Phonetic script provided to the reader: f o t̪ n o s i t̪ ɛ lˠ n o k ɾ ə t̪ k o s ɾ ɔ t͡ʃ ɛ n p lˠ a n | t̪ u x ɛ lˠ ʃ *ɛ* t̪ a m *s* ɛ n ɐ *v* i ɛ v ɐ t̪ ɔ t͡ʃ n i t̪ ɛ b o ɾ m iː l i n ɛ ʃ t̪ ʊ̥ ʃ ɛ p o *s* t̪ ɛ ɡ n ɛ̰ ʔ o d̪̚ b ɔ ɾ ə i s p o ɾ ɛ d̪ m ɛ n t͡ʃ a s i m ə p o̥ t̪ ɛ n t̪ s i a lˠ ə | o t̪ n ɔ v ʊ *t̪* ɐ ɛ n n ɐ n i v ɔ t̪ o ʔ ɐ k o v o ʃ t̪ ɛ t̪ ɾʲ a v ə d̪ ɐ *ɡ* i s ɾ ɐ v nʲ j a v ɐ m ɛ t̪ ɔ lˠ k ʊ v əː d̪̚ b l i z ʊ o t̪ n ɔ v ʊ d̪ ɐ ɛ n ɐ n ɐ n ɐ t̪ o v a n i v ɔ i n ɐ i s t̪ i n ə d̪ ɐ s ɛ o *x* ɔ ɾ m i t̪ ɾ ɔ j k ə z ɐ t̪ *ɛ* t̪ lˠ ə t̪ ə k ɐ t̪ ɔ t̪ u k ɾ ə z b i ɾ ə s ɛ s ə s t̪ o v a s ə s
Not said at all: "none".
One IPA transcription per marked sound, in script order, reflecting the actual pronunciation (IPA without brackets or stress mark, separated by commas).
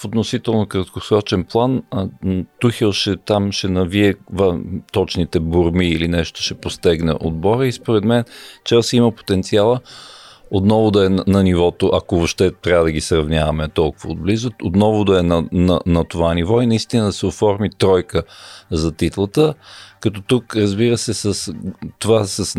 ɛ, ʃ, v, s, d̪, ɡ, f, i